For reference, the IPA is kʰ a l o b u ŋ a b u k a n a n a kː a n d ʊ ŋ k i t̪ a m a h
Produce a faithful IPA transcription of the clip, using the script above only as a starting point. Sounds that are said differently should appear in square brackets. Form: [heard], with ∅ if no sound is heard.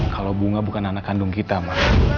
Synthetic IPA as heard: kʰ a l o b u ŋ a b u k a n a n a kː a n d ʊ ŋ k i t̪ a m a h